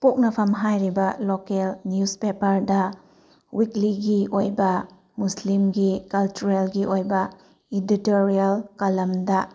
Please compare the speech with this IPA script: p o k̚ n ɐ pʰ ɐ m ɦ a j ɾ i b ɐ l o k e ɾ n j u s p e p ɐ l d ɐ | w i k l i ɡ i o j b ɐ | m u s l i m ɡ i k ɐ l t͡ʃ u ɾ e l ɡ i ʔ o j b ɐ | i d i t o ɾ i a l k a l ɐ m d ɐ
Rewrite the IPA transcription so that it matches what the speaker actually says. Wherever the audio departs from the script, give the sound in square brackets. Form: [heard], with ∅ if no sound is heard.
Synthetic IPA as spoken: p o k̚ n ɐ pʰ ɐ m ɦ a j ɾ i b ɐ l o k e [l] n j u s p e p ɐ [ɾ] d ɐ | w i k l i ɡ i o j b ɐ | m u s l i m ɡ i k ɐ l t͡ʃ u ɾ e l ɡ i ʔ o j b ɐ | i d i t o ɾ i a l k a l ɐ m d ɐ